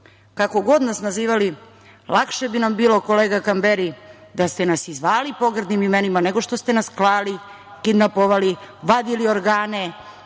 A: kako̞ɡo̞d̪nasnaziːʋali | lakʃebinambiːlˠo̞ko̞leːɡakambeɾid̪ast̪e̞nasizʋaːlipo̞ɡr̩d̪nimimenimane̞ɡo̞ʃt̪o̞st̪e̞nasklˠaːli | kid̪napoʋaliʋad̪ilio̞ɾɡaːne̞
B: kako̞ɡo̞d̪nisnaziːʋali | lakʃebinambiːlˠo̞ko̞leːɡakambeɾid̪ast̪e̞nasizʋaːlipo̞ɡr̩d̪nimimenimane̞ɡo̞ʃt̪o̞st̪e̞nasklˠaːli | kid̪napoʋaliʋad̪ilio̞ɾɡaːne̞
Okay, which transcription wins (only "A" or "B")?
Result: A